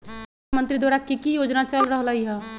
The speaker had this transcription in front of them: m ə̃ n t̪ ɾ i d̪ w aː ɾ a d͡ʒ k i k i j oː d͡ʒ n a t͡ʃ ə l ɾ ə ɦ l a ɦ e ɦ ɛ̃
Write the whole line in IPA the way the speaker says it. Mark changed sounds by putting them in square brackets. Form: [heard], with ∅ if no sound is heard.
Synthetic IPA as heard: m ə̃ n t̪ ɾ i d̪ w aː ɾ a [∅] k i k i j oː d͡ʒ n a t͡ʃ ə l ɾ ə ɦ l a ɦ [i] ɦ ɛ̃